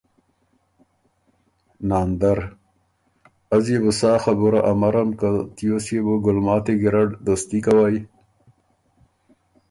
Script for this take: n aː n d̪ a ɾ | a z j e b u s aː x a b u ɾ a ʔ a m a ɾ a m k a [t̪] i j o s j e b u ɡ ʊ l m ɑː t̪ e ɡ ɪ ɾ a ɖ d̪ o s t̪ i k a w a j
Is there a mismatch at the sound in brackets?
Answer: no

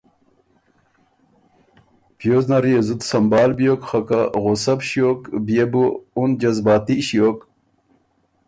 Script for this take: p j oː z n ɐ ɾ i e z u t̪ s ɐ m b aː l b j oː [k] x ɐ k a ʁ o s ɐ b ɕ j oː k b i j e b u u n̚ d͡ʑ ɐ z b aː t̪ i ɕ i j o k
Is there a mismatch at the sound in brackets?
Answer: no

